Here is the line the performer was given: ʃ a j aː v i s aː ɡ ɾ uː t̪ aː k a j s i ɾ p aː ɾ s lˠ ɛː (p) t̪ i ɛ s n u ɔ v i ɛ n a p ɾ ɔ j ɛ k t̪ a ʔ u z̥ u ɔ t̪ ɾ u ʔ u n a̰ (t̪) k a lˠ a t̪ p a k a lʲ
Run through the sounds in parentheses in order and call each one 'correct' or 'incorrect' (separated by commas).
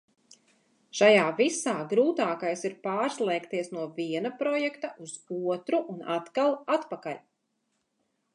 incorrect, correct